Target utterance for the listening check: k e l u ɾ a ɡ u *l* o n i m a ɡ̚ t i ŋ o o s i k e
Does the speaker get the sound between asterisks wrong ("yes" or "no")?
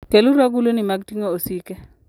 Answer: no